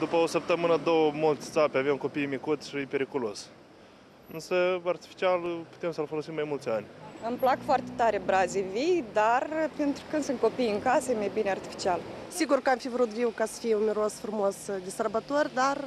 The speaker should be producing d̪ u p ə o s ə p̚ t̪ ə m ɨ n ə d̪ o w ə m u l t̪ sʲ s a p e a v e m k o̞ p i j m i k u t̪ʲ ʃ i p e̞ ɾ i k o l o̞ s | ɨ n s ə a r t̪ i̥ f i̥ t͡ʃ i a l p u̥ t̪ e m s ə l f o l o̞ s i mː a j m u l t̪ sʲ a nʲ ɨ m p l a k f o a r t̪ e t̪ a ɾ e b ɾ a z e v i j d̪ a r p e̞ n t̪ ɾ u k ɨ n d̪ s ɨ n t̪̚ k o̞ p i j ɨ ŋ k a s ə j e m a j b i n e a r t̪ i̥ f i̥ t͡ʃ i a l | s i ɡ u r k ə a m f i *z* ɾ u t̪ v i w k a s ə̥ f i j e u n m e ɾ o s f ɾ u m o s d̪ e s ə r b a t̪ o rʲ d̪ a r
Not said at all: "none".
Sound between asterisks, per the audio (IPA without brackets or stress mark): v